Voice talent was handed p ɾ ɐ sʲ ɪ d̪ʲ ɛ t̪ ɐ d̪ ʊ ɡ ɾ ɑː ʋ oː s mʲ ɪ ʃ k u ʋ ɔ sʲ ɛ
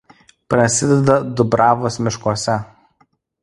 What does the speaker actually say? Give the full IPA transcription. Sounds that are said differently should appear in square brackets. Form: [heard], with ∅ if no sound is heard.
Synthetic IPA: p ɾ ɐ sʲ ɪ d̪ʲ ɛ [d̪] ɐ d̪ ʊ [b] ɾ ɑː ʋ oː s mʲ ɪ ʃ k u [∅] ɔ sʲ ɛ

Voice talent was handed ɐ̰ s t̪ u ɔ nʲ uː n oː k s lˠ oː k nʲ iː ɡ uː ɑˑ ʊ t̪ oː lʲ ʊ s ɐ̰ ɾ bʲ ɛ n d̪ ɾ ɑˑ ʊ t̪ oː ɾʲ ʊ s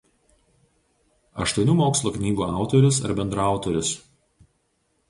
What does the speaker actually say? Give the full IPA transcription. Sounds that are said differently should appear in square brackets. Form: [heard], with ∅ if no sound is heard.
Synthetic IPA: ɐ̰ [ʃ] t̪ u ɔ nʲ uː [m] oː k s lˠ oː k nʲ iː ɡ uː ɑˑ ʊ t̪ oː [ɾʲ] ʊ s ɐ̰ ɾ bʲ ɛ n d̪ ɾ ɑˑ ʊ t̪ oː ɾʲ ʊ s

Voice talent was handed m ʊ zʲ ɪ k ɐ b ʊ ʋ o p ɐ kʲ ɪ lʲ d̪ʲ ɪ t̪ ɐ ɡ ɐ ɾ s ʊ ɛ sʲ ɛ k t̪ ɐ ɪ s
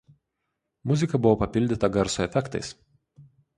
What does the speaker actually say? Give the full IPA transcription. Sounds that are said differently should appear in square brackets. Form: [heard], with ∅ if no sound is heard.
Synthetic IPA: m ʊ zʲ ɪ k ɐ b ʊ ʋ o p ɐ [pʲ] ɪ lʲ d̪ʲ ɪ t̪ ɐ ɡ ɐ ɾ s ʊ ɛ [fʲ] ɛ k t̪ ɐ ɪ s

